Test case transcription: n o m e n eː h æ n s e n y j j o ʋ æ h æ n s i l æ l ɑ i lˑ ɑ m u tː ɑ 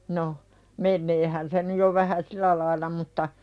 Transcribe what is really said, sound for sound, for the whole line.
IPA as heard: n o m e nː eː h æ n s e n y j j o ʋ æ h æ s i l æ l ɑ i lˑ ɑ m u tː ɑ